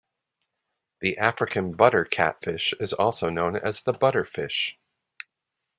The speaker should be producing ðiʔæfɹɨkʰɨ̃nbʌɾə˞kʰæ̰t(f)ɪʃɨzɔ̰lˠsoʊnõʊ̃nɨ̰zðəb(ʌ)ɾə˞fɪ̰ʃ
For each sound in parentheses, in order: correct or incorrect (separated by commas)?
correct, correct